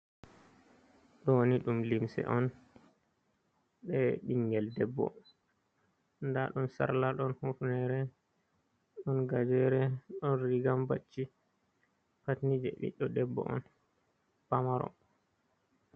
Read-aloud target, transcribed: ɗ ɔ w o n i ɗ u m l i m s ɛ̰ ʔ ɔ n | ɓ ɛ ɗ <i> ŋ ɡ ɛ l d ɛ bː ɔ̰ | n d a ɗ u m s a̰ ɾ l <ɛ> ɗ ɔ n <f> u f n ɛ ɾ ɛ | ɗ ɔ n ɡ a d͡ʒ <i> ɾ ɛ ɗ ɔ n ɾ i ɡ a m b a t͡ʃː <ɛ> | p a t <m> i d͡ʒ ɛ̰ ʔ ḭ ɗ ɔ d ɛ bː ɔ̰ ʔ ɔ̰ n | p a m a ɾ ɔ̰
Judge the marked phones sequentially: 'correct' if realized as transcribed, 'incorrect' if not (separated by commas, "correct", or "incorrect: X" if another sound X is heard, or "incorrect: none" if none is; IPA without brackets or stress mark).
correct, incorrect: a, incorrect: h, incorrect: ɛ, incorrect: i, incorrect: n